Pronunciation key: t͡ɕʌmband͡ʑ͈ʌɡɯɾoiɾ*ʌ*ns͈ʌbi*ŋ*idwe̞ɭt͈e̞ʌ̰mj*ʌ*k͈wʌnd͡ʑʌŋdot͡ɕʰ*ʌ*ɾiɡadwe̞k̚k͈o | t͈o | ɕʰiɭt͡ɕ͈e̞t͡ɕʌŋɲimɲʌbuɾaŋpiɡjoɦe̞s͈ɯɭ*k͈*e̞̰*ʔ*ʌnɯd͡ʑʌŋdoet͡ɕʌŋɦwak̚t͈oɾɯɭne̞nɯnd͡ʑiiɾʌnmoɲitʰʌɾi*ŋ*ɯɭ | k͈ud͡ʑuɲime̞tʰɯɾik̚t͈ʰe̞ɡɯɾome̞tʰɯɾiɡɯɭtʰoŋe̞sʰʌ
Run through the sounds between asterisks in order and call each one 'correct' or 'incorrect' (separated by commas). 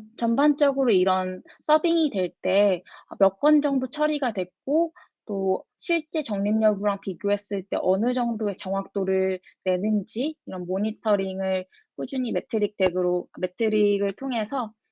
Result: correct, correct, correct, correct, incorrect, correct, correct